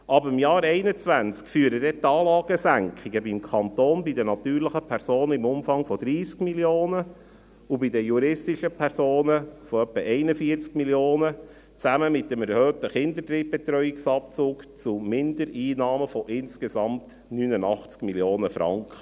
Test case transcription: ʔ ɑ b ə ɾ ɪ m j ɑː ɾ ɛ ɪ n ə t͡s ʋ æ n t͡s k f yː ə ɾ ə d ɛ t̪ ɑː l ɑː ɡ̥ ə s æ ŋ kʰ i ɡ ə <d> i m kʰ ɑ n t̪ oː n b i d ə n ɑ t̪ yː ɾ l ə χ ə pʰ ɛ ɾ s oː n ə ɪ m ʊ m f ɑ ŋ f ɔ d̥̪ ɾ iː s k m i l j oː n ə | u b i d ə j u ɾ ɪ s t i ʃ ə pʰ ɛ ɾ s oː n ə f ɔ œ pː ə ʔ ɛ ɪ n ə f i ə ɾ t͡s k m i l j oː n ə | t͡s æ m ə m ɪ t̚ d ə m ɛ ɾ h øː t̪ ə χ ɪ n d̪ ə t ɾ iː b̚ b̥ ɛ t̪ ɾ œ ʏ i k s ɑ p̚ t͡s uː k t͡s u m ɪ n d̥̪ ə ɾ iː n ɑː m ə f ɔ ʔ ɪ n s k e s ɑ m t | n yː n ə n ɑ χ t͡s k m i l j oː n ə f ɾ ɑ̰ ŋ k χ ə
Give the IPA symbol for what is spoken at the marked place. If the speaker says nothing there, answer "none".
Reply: b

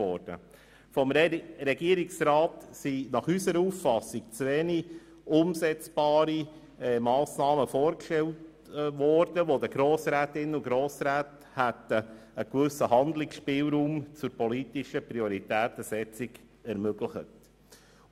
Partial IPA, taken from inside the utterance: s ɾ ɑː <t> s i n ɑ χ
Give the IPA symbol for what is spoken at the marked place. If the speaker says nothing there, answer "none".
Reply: t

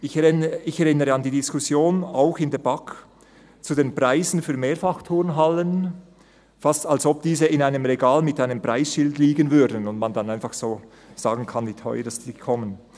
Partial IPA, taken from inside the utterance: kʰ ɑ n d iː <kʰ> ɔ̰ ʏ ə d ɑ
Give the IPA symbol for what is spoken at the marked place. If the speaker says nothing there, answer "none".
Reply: tʰ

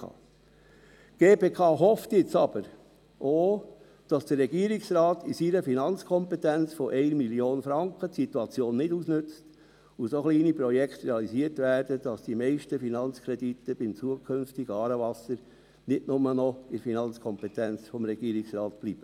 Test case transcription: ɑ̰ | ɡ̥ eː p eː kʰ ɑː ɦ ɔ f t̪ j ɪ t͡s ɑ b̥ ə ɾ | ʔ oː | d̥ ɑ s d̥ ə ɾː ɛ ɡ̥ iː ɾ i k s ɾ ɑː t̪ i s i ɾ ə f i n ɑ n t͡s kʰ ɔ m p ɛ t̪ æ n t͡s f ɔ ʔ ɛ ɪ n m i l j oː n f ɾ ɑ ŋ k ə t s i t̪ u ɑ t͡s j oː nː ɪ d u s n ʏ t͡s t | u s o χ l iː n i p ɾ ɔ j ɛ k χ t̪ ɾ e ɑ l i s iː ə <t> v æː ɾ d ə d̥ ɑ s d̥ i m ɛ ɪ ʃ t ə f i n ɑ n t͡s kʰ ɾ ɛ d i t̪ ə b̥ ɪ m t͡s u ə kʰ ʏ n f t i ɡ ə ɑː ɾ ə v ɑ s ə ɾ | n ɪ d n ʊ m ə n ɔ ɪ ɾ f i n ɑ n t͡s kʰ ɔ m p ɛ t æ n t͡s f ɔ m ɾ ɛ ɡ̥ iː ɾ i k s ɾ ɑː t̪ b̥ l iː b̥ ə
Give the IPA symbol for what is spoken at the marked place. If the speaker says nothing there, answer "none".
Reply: t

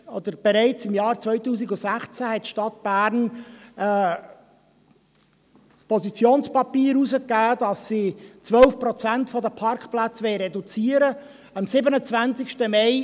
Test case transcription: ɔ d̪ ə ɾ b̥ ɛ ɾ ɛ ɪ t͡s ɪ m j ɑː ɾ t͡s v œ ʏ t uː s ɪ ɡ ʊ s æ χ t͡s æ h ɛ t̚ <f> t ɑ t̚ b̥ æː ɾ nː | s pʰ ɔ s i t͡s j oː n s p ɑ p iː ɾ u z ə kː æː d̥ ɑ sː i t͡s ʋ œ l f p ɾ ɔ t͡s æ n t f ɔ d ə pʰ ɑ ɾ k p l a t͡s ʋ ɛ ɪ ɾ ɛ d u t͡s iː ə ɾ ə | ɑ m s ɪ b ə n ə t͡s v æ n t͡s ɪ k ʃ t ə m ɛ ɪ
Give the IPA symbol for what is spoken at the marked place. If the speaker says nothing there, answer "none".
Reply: ʃ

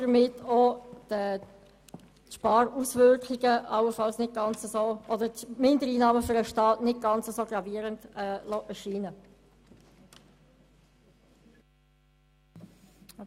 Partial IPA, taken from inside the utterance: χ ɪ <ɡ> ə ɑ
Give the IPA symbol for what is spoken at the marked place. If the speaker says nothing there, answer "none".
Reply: ɡ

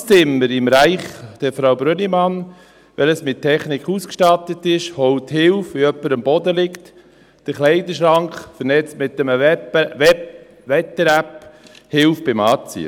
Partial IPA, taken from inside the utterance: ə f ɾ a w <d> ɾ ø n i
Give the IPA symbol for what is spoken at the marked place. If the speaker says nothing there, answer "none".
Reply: b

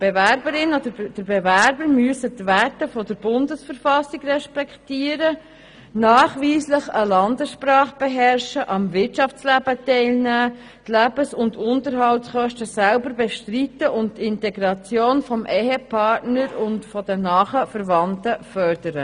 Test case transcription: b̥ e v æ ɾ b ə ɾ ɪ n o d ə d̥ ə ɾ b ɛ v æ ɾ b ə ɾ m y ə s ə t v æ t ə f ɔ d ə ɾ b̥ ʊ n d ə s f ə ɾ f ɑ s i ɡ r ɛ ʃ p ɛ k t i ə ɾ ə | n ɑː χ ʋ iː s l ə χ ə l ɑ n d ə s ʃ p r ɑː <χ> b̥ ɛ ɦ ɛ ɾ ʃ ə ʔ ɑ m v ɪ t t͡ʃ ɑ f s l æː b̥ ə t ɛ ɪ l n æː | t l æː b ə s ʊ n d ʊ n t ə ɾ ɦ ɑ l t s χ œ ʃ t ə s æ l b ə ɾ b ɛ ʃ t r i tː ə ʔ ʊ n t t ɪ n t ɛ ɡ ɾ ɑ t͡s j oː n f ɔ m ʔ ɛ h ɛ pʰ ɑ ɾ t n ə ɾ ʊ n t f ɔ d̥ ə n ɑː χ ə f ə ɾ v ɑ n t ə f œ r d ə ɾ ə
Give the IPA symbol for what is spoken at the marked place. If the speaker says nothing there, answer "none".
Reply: χ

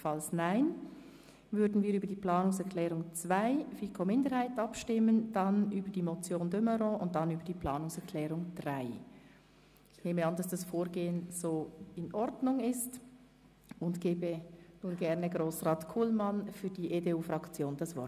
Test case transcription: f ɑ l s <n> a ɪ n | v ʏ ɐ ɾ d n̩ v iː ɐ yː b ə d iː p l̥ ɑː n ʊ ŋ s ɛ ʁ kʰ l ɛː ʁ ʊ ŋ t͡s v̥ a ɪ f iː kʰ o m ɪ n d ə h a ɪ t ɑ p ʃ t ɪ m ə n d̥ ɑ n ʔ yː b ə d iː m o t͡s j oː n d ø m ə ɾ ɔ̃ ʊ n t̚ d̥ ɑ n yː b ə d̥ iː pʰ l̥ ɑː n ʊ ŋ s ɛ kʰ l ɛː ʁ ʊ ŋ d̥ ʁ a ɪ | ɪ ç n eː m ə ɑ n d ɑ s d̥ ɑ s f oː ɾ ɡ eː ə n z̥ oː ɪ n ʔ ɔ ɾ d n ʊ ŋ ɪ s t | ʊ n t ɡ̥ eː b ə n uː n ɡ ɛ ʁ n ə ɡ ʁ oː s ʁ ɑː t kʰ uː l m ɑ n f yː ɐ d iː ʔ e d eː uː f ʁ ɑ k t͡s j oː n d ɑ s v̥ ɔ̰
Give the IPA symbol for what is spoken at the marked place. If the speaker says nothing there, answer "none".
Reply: n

